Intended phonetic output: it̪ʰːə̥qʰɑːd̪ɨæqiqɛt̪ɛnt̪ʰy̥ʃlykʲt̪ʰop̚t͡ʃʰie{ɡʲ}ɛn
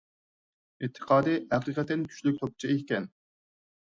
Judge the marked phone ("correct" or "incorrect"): incorrect